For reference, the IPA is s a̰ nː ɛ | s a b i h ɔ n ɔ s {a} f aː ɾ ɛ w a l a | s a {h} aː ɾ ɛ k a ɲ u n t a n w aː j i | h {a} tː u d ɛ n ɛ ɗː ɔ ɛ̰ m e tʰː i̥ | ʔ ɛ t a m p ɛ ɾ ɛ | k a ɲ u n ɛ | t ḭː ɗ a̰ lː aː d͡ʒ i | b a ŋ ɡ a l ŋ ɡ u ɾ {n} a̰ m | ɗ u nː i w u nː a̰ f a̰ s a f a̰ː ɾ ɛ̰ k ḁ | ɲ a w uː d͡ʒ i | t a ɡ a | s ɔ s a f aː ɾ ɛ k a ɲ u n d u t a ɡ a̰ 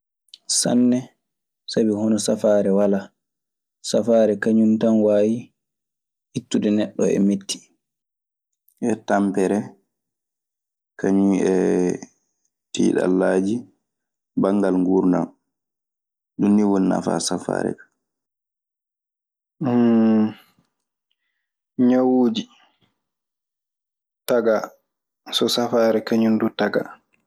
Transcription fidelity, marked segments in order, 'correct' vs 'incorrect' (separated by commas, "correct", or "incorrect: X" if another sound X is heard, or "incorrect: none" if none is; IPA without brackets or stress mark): correct, incorrect: f, incorrect: i, correct